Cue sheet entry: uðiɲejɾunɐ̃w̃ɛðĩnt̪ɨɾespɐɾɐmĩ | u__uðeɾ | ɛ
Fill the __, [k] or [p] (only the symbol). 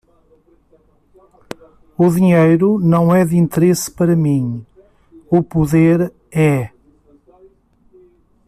p